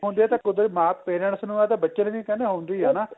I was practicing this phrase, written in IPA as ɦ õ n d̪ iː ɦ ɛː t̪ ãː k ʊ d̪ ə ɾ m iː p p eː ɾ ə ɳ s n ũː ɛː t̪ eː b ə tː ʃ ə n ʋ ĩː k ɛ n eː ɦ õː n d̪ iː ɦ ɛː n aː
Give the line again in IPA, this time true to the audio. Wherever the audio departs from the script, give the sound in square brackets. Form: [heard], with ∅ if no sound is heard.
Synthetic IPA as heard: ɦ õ n d̪ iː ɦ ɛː t̪ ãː k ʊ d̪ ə ɾ m [aː] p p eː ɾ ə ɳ s n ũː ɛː t̪ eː b ə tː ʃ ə n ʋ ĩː k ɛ n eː ɦ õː n d̪ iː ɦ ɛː n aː